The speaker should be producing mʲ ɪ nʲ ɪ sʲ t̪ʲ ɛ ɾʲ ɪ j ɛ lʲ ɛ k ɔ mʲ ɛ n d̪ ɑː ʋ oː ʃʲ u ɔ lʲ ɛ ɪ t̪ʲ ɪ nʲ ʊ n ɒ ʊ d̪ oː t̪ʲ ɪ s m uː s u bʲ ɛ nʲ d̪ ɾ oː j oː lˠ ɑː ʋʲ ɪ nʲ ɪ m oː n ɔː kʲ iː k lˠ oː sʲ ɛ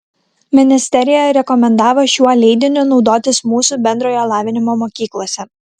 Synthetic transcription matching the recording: mʲ ɪ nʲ ɪ sʲ t̪ʲ ɛ ɾʲ ɪ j ɛ ɾʲ ɛ k ɔ mʲ ɛ n d̪ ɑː ʋ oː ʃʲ u ɔ lʲ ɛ ɪ d̪ʲ ɪ nʲ ʊ n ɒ ʊ d̪ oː t̪ʲ ɪ s m uː s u bʲ ɛ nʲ d̪ ɾ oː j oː lˠ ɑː ʋʲ ɪ nʲ ɪ m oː m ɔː kʲ iː k lˠ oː sʲ ɛ